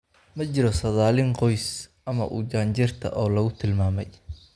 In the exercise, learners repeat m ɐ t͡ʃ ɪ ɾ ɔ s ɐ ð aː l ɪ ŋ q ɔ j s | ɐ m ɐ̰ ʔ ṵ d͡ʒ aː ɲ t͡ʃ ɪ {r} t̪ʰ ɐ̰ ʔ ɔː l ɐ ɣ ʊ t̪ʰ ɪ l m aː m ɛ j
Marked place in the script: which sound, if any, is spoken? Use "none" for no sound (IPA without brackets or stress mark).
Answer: r